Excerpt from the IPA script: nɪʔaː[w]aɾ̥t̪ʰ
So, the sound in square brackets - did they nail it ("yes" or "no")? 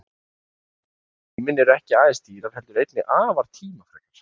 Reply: no